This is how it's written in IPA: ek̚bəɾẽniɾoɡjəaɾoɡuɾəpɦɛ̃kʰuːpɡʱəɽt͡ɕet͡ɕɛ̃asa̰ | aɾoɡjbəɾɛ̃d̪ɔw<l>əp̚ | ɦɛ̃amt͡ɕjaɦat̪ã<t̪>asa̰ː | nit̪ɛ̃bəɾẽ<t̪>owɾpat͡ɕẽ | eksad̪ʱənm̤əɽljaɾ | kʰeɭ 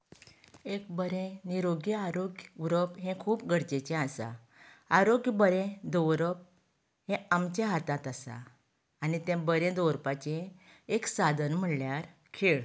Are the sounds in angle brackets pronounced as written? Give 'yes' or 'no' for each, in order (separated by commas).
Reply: no, yes, no